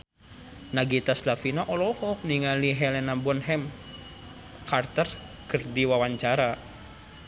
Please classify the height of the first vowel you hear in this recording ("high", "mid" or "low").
low